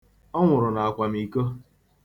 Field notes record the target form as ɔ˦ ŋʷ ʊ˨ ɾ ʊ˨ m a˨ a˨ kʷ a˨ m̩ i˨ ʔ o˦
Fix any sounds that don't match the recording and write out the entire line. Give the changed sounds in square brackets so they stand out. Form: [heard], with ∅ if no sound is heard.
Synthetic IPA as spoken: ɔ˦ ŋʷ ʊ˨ ɾ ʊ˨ [n] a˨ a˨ kʷ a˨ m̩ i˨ [k] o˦